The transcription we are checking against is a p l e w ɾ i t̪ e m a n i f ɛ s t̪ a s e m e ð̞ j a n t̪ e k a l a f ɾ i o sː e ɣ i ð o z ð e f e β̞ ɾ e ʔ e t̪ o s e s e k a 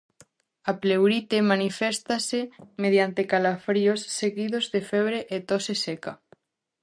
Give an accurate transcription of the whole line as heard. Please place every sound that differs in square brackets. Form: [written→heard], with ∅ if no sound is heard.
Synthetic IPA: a p l e w ɾ i t̪ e m a n i f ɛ s t̪ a s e m e ð̞ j a n t̪ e k a l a f ɾ i o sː e ɣ i ð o z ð e f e β̞ ɾ e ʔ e t̪ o s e s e k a